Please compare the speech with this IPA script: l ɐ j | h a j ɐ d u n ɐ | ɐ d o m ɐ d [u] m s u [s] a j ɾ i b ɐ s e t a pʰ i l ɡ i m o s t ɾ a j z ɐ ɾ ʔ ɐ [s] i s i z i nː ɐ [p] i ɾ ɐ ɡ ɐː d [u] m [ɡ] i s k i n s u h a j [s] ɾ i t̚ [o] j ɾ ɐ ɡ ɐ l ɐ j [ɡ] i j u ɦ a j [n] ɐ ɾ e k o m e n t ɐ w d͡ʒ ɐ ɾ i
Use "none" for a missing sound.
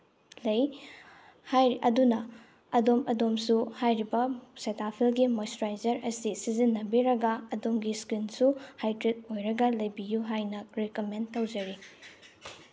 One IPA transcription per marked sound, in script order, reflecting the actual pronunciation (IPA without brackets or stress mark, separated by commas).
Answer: o, h, s, b, o, ɡ, t, o, b, n